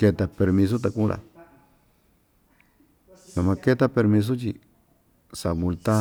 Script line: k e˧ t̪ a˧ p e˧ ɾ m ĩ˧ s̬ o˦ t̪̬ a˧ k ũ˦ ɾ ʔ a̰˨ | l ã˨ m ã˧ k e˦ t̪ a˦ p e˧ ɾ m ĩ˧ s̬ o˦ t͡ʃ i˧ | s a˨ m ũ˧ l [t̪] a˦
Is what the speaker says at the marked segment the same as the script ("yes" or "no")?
yes